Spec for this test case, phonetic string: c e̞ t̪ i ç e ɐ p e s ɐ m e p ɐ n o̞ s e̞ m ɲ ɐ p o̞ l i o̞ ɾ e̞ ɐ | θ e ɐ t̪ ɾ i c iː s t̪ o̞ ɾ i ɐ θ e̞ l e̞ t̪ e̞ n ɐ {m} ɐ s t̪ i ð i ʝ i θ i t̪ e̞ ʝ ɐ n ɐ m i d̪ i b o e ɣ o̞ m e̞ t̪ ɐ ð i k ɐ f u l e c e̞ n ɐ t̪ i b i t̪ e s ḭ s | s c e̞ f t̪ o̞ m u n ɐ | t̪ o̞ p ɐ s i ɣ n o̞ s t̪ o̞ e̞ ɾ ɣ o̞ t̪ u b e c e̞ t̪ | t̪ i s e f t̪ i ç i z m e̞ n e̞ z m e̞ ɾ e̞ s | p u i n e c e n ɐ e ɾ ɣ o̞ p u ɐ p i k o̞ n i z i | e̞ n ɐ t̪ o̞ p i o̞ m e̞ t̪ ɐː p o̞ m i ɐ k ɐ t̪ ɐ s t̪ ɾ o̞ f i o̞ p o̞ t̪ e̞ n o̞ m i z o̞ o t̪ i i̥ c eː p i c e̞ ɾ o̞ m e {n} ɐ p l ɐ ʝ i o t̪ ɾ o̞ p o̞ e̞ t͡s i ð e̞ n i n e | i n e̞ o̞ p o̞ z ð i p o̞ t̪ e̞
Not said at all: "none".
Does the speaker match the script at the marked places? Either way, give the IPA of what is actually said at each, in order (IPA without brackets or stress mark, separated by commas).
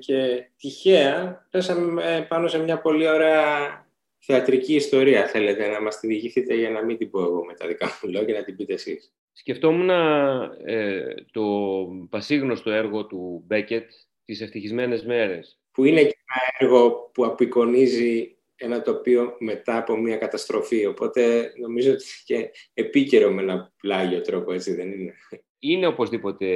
m, n